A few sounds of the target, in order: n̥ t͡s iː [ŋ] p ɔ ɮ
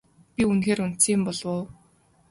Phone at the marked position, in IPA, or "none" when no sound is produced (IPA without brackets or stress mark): m